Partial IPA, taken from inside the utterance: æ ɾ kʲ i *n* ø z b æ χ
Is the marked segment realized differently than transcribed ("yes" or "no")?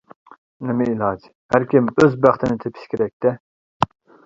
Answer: yes